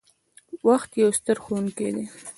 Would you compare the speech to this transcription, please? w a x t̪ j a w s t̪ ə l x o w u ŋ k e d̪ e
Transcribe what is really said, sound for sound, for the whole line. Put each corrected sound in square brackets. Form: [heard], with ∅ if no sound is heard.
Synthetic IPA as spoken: w a x t̪ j a w s t̪ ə [ɾ] x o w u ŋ k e d̪ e

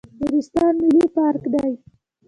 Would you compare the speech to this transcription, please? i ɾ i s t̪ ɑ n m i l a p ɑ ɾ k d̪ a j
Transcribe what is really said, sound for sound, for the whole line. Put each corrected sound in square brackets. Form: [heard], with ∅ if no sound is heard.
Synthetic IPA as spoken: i ɾ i s t̪ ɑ n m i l [i] p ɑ ɾ k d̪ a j

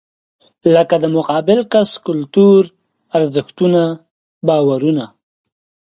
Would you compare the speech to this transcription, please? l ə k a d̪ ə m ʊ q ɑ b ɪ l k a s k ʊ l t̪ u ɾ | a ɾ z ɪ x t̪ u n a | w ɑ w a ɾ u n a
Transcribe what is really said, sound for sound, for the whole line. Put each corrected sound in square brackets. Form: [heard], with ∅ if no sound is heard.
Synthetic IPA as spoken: l ə k a d̪ ə m ʊ q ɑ b ɪ l k a s k ʊ l t̪ u ɾ | a ɾ z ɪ x t̪ u n a | [b] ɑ w a ɾ u n a

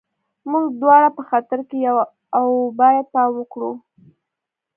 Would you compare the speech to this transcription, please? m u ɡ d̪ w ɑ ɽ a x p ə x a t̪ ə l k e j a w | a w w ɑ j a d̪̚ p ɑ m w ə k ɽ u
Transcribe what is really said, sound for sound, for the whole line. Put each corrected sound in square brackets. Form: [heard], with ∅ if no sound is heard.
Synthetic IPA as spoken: m u ɡ d̪ w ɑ ɽ a [∅] p ə x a t̪ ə [ɾ] k e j a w | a w [b] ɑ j a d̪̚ p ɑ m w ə k ɽ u

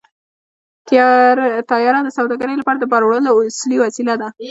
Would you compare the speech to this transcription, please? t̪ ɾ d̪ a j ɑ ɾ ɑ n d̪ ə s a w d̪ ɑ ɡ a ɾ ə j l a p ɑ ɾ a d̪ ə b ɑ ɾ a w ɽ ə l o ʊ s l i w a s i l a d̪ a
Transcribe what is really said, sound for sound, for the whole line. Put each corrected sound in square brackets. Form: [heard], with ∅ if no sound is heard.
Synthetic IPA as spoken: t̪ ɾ [t̪] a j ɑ ɾ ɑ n d̪ ə s a w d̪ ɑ ɡ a ɾ ə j l a p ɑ ɾ a d̪ ə b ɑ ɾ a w ɽ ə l o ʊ s l i w a s i l a d̪ a

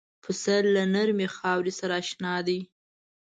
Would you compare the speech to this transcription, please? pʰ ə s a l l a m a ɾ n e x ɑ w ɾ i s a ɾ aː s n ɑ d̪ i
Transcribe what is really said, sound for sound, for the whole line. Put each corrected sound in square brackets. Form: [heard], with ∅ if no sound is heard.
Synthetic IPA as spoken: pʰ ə s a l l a [n] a ɾ [m] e x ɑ w ɾ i s a ɾ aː [ʃ] n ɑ d̪ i

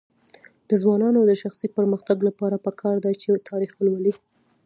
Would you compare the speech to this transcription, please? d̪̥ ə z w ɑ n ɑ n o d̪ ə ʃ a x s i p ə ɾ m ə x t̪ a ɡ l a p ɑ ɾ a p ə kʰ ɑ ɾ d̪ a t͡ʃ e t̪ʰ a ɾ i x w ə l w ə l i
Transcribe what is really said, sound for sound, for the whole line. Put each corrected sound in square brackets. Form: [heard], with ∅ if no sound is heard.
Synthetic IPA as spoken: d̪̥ ə z w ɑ n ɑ n o d̪ ə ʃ a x s i p ə ɾ m ə x t̪ a ɡ l a p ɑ ɾ a p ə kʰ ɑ ɾ d̪ a t͡ʃ e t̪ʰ [ɑ] ɾ i x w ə l w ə l i

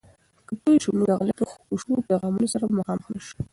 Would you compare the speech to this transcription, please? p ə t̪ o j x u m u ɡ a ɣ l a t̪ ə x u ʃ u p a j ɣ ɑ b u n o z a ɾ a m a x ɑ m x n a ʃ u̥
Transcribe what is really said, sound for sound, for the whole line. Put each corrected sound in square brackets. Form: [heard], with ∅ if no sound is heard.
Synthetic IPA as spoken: [k] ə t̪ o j [ʃ] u m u ɡ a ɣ l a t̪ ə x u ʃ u p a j ɣ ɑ [m] u n o [s] a ɾ a m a x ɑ m x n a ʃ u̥

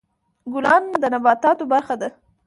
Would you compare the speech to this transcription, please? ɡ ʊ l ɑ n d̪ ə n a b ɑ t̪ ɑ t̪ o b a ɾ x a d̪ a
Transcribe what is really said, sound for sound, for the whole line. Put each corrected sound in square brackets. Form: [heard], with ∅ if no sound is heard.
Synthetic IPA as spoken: ɡ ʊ l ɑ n d̪ ə n a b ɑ t̪ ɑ t̪ o b a ɾ x a d̪ a

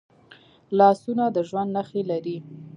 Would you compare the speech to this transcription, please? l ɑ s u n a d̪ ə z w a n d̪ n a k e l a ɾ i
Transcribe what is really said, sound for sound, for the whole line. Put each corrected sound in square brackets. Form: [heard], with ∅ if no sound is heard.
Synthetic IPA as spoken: l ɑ s u n a d̪ ə [ʒ] w a n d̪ n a [x] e l a ɾ i

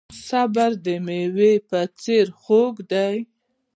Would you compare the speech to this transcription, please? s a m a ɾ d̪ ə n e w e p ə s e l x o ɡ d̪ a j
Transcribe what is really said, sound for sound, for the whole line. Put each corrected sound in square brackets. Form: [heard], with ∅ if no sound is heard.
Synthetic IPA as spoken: s a [b] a ɾ d̪ ə [m] e w e p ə [t͡s] e [ɾ] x o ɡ d̪ a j

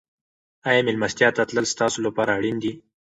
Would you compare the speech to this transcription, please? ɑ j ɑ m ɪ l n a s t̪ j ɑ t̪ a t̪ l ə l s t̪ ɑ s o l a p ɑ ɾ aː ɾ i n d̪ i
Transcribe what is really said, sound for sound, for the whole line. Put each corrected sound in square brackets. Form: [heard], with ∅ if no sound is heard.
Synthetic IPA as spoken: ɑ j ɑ m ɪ l [m] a s t̪ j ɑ t̪ a t̪ l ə l s t̪ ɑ s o l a p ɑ ɾ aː [ɽ] i n d̪ i

